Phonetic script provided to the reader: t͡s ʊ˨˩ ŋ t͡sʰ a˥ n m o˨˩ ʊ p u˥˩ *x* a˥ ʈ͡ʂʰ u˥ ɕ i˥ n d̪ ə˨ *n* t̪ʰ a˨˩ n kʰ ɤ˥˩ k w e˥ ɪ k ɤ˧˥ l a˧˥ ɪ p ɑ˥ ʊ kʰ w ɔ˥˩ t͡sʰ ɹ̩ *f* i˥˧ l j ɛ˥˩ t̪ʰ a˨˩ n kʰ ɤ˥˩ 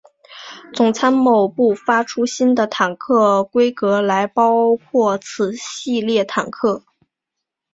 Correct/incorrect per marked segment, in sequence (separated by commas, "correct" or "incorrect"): incorrect, incorrect, incorrect